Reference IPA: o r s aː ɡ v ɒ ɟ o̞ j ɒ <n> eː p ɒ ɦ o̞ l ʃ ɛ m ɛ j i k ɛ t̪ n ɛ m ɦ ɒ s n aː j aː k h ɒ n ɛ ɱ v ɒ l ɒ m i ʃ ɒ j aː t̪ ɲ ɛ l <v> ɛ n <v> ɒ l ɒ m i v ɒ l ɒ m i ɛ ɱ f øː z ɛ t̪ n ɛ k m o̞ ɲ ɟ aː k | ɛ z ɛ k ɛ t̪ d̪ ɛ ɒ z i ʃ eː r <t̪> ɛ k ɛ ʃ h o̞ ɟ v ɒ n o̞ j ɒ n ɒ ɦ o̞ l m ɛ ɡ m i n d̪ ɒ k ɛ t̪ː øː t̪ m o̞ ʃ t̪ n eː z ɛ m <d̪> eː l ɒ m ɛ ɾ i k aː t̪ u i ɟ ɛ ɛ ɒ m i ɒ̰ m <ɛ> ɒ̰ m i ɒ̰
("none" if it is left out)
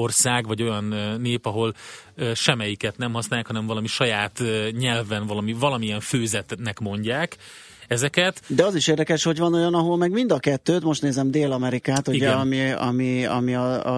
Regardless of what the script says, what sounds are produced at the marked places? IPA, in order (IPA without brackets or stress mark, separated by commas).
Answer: nː, v, v, d̪, d̪, i